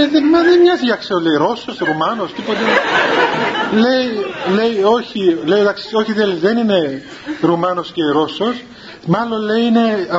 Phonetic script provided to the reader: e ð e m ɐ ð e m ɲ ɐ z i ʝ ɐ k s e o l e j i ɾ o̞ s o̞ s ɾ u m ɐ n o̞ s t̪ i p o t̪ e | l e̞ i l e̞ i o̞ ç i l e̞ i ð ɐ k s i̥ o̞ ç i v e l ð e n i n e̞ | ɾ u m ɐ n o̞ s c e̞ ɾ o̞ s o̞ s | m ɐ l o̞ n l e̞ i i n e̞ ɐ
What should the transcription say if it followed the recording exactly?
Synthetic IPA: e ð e m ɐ ð e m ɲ ɐ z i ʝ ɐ k s e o l e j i ɾ o̞ s o̞ s ɾ u m ɐ n o̞ s t̪ i p o t̪ e | l e̞ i l e̞ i o̞ ç i l e̞ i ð ɐ k s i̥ o̞ ç i ð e l ð e n i n e̞ | ɾ u m ɐ n o̞ s c e̞ ɾ o̞ s o̞ s | m ɐ l o̞ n l e̞ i i n e̞ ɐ